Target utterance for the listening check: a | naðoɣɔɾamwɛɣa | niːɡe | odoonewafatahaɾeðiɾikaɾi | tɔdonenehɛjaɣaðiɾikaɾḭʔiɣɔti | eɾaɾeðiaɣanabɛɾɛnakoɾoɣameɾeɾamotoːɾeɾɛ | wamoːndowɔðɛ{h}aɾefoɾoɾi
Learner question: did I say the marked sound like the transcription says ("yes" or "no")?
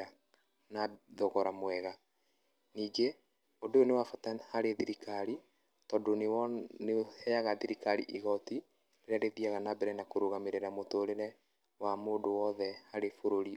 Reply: yes